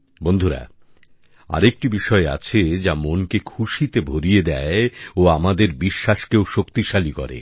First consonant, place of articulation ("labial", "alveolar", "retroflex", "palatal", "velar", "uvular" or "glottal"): labial